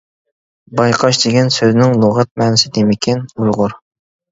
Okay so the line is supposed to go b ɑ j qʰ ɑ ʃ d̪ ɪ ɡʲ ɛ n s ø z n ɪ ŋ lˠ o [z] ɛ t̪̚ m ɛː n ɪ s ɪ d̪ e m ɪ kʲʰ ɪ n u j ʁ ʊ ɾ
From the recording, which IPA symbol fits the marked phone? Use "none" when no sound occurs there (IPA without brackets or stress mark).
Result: ʁ